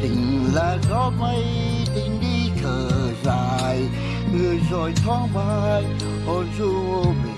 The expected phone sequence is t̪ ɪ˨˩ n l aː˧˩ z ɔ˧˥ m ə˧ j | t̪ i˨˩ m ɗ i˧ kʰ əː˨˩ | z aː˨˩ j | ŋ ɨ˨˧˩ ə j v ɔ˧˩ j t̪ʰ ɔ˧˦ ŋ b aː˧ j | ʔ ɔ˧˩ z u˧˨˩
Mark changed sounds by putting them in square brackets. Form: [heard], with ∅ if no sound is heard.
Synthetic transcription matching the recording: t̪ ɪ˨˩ [ŋ] l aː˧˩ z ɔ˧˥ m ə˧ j | t̪ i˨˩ [ŋ] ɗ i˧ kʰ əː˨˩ | z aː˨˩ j | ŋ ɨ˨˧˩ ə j [z] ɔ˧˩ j t̪ʰ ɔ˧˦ ŋ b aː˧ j | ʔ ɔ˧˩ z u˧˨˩

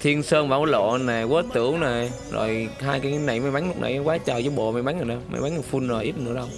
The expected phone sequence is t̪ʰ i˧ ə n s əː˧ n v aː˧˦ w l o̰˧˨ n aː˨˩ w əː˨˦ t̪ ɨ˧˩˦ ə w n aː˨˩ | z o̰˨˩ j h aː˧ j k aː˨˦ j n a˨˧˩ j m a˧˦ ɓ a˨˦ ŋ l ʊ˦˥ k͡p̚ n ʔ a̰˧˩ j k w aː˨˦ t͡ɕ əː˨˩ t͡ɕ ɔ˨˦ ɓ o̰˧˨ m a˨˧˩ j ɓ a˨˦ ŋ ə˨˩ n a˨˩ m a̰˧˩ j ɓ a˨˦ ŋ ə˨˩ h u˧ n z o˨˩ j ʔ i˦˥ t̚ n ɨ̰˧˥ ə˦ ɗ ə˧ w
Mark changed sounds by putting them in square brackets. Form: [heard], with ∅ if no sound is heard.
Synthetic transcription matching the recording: t̪ʰ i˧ ə n s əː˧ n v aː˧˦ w l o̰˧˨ n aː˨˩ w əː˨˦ t̪ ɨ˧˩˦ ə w n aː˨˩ | z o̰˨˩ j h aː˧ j k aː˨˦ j n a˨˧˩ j m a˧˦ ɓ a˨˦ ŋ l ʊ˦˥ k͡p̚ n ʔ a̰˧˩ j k w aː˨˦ t͡ɕ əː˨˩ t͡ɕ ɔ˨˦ ɓ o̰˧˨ m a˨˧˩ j ɓ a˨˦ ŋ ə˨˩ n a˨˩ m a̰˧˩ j ɓ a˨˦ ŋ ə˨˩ [f] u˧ n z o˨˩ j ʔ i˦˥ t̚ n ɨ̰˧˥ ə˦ ɗ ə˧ w

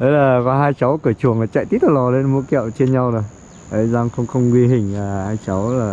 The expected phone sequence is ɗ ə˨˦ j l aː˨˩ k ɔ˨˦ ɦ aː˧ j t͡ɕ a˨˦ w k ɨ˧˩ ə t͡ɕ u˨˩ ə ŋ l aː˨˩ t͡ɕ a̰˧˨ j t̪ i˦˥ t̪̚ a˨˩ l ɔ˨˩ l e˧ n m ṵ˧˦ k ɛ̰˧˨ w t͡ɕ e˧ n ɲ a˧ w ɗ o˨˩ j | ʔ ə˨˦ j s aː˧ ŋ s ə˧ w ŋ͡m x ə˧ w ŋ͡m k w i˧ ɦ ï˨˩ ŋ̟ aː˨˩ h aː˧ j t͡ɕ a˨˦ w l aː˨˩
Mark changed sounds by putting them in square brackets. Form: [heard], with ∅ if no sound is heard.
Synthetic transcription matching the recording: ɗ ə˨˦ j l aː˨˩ k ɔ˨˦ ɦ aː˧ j t͡ɕ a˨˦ w k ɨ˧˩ ə t͡ɕ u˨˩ ə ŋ l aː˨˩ t͡ɕ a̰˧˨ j t̪ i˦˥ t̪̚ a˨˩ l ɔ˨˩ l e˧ n m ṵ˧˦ k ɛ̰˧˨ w t͡ɕ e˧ n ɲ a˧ w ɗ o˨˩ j | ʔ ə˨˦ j [z] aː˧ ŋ [x] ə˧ w ŋ͡m x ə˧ w ŋ͡m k w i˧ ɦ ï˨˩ ŋ̟ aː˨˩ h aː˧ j t͡ɕ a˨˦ w l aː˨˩

